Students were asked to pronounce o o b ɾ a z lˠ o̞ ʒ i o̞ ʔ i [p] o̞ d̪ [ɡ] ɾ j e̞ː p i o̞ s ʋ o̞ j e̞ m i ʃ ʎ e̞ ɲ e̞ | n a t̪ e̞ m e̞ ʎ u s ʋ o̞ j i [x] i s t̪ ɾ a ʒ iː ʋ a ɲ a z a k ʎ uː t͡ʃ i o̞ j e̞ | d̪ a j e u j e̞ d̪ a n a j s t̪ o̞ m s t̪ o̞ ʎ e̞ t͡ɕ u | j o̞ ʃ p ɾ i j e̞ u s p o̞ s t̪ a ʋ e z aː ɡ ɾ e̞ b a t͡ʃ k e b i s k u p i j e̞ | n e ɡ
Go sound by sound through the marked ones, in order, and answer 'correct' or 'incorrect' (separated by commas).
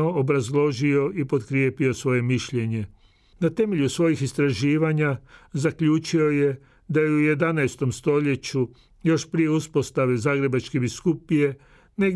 correct, incorrect, correct